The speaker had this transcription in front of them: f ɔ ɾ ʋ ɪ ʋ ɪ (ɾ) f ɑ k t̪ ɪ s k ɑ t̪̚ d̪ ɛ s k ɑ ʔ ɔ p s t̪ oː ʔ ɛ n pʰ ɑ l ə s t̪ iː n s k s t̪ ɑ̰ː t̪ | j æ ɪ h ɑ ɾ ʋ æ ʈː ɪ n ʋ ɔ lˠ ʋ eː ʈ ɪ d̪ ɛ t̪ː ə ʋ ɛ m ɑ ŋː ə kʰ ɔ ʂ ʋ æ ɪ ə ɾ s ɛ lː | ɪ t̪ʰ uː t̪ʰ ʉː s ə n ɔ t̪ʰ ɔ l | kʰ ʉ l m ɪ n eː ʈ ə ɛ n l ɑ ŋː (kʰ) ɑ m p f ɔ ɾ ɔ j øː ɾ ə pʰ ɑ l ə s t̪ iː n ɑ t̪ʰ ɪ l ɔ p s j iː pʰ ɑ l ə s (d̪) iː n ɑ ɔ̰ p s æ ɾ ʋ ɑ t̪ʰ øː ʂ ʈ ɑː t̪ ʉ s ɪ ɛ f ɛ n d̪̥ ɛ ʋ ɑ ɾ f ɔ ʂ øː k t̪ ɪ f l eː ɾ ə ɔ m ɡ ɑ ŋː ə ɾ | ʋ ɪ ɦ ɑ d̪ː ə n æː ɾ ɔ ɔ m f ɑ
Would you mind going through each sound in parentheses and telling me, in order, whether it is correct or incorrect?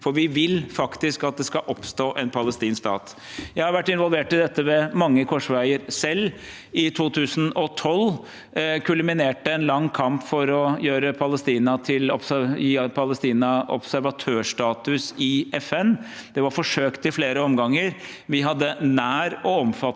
incorrect: l, correct, incorrect: t̪

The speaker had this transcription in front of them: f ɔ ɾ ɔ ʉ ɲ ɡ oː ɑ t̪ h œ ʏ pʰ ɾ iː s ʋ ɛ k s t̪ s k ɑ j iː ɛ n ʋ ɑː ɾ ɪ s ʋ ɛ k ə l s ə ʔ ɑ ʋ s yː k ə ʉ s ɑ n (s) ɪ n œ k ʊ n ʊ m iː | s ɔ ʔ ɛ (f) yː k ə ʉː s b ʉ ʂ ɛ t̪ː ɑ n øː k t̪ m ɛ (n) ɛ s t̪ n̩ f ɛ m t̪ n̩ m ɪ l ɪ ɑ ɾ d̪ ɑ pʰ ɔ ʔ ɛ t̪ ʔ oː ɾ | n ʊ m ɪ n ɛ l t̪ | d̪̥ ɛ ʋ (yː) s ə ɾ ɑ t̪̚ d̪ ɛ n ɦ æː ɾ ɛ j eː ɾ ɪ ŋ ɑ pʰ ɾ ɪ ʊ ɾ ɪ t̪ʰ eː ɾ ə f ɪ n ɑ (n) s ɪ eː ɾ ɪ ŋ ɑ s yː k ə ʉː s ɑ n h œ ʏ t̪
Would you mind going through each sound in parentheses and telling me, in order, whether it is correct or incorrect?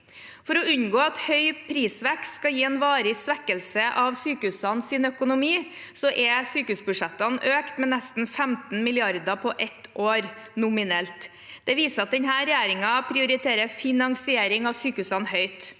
correct, incorrect: s, correct, incorrect: iː, incorrect: ŋ

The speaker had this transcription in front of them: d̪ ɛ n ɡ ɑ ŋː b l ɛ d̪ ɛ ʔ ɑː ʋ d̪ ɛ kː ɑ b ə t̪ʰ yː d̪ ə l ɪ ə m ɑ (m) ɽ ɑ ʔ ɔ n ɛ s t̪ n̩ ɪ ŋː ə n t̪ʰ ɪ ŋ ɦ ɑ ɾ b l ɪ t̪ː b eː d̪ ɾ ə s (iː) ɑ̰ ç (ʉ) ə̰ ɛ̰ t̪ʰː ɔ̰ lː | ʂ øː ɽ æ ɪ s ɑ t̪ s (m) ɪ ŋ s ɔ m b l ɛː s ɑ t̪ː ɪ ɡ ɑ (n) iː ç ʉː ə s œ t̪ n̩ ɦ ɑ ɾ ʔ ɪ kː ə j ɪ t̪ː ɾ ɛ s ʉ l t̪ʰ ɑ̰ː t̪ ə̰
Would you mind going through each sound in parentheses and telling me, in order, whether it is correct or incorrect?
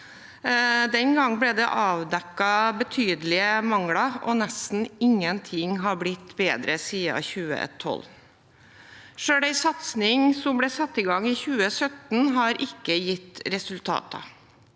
incorrect: ŋ, correct, incorrect: ʉː, incorrect: n, incorrect: ŋ

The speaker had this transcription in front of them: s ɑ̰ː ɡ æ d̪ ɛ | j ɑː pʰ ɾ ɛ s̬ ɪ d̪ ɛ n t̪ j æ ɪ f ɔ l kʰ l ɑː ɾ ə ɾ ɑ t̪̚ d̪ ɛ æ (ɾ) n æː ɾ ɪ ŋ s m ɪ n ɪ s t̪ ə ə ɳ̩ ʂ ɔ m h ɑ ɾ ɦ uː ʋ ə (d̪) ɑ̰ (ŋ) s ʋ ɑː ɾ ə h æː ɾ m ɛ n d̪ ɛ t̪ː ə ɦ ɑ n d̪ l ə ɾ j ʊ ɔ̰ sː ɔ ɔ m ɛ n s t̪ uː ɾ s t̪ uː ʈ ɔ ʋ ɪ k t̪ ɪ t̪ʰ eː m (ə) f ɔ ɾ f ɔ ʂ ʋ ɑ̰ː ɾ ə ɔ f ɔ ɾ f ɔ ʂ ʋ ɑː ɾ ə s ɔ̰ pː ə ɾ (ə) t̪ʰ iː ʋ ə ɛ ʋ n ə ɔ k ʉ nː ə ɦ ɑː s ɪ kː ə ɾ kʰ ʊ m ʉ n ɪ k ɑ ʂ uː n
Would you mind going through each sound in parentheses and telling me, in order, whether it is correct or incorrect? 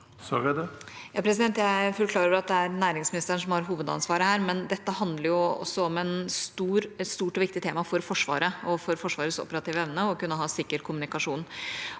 correct, correct, incorrect: n, incorrect: ɑ, incorrect: ɑ

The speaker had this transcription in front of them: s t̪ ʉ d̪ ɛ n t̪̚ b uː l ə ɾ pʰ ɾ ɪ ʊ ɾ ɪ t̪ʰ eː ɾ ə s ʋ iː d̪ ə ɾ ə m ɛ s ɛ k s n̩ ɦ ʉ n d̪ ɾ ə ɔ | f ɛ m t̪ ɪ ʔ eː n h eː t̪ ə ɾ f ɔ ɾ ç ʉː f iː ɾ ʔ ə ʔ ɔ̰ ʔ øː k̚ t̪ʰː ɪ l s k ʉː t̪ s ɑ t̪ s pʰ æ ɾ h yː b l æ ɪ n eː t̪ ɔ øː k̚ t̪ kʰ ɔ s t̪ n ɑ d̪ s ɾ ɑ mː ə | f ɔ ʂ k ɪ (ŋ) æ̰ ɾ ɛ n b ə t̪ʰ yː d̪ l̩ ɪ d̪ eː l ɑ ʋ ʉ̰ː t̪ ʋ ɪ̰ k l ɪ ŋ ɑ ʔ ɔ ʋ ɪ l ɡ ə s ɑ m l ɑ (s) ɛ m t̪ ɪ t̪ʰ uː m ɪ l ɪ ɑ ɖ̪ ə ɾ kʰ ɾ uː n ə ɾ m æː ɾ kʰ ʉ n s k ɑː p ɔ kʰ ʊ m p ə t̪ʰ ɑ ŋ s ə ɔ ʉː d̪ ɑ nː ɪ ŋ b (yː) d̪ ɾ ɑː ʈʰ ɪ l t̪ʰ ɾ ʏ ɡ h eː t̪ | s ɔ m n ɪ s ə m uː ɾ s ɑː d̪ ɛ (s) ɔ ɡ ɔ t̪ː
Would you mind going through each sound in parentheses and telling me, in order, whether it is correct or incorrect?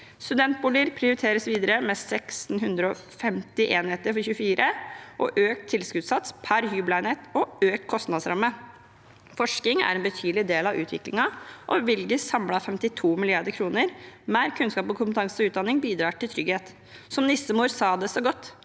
correct, incorrect: f, incorrect: iː, correct

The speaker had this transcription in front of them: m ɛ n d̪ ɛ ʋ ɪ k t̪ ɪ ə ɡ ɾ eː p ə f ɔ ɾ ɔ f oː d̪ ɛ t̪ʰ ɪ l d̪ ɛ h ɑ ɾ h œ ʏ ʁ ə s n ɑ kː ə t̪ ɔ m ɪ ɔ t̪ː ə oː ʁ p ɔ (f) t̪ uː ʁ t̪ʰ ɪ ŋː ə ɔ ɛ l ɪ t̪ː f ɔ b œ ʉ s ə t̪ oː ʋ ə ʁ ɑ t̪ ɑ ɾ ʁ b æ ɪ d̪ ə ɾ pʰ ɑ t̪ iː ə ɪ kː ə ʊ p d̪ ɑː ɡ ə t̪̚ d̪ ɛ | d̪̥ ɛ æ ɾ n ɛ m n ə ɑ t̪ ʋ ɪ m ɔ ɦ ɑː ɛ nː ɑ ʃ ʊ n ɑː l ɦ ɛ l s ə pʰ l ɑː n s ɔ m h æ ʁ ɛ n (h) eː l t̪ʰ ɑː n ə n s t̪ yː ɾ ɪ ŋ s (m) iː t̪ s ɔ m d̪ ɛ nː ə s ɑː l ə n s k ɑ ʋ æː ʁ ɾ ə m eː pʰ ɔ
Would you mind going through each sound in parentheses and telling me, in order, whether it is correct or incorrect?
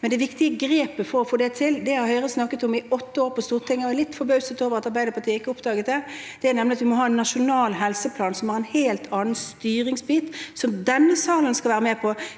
incorrect: s, correct, incorrect: b

